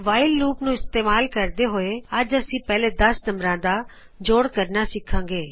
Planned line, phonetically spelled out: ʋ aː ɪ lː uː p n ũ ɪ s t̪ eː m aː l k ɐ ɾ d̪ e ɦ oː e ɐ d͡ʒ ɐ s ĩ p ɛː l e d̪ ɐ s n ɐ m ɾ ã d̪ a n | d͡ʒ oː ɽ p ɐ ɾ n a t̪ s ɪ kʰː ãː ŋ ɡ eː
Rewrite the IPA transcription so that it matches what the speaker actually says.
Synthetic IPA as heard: ʋ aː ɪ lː uː p n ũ ɪ s t̪ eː m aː l k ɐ ɾ d̪ e ɦ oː e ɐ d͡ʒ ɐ s ĩ p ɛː l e d̪ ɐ s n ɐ m ɾ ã d̪ a | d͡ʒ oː ɽ k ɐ ɾ n a s ɪ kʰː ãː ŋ ɡ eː

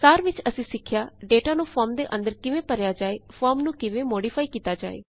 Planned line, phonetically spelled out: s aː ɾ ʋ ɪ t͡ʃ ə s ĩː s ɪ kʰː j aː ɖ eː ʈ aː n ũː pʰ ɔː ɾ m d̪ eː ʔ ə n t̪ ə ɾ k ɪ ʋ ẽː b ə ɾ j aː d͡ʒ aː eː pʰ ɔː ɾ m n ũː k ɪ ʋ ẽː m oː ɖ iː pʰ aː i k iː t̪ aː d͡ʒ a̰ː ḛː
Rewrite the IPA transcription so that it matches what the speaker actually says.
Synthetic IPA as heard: s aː ɾ ʋ ɪ t͡ʃ ə s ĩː s ɪ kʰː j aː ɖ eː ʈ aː n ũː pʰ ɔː ɾ m d̪ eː ʔ ə n d̪ ə ɾ k ɪ ʋ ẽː p ə ɾ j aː d͡ʒ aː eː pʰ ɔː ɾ m n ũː k ɪ ʋ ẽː m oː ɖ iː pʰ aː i k iː t̪ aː d͡ʒ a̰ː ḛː

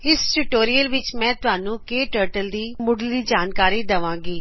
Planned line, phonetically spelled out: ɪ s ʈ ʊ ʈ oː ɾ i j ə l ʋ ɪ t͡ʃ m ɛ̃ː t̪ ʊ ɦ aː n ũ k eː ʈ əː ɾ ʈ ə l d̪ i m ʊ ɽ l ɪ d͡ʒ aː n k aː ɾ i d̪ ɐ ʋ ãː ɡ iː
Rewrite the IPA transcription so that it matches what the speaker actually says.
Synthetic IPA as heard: ɪ s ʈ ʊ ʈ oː ɾ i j ə l ʋ ɪ t͡ʃ m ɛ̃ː t̪ ʊ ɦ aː n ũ k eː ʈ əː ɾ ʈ ə l d̪ iː m ʊ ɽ l i d͡ʒ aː n k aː ɾ i d̪ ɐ ʋ ãː ɡ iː

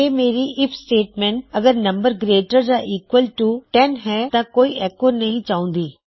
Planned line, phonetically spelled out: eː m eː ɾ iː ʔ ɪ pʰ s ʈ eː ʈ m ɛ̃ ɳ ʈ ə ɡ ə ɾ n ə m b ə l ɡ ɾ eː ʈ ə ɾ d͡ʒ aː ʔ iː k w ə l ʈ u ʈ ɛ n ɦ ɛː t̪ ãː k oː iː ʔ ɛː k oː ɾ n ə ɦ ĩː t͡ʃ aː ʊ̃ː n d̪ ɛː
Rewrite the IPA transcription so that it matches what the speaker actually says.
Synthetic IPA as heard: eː m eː ɾ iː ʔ ɪ pʰ s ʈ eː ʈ m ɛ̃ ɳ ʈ ə ɡ ə ɾ n ə m b ə ɾ ɡ ɾ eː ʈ ə ɾ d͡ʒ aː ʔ iː k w ə l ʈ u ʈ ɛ n ɦ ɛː t̪ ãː k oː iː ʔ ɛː k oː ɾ n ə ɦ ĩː t͡ʃ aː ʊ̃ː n d̪ iː

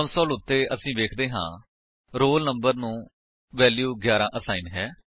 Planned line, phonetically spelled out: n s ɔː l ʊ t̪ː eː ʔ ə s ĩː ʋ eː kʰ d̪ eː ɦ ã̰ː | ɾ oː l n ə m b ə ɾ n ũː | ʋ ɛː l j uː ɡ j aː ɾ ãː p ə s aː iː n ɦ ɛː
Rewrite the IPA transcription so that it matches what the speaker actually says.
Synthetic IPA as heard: n s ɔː l ʊ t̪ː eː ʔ ə s ĩː ʋ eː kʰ d̪ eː ɦ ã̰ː | ɾ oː l n ə m b ə ɾ n ũː | ʋ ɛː l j uː ɡ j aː ɾ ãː ʔ ə s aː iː n ɦ ɛː

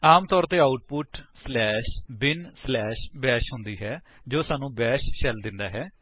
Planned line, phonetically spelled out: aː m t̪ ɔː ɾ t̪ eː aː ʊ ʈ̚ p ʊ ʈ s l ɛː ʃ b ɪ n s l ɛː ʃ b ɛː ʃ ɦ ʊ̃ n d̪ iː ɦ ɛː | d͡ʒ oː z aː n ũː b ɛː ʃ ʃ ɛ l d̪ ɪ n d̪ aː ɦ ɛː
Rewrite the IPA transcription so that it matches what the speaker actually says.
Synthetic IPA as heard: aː m t̪ ɔː ɾ t̪ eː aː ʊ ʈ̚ p ʊ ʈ s l ɛː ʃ b ɪ n s l ɛː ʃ b ɛː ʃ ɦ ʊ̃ n d̪ iː ɦ ɛː | d͡ʒ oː s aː n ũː b ɛː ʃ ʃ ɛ l d̪ ɪ n d̪ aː ɦ ɛː

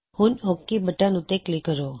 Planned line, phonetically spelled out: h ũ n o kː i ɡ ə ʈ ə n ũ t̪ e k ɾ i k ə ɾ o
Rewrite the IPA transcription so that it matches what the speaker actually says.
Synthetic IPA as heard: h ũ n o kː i b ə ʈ a n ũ t̪ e k l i k ə ɾ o

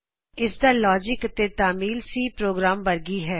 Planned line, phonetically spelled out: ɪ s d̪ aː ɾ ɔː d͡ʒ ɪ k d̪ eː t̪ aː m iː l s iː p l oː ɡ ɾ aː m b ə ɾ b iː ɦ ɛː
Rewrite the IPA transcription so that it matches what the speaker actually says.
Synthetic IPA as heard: ɪ s d̪ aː l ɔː d͡ʒ ɪ k t̪ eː t̪ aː m iː l s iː p ɾ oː ɡ ɾ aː m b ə ɾ ɡ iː ɦ ɛː

